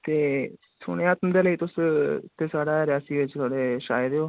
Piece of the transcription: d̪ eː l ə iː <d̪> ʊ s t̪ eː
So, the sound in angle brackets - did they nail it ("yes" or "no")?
no